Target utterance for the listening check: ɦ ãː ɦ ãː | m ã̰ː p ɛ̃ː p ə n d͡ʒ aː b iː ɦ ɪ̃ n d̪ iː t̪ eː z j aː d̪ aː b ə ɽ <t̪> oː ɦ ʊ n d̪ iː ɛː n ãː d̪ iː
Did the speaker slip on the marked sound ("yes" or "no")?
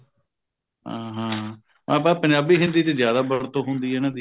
no